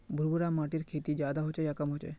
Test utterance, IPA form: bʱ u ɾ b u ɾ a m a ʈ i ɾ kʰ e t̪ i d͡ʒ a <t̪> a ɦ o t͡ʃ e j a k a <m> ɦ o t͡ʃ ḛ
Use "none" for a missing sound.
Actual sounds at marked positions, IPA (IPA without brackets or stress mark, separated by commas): d̪, m